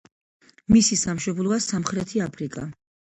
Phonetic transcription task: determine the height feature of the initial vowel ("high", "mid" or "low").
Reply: high